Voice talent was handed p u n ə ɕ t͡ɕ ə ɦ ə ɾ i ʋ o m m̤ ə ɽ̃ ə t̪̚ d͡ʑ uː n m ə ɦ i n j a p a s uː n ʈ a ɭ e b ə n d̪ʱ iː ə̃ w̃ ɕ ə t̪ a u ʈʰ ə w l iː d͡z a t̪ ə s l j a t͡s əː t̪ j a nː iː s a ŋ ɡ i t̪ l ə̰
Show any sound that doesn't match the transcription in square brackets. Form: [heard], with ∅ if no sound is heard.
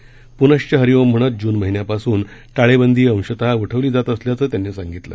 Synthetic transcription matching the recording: p u n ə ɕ t͡ɕ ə ɦ ə ɾ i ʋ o m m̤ ə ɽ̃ ə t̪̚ d͡ʑ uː n m ə ɦ i n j a p a s uː n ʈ a ɭ e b ə n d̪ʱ iː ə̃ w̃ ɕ ə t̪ a u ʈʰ ə [ʋ] l iː d͡z a t̪ ə s l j a t͡s əː t̪ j a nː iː s a ŋ ɡ i t̪ l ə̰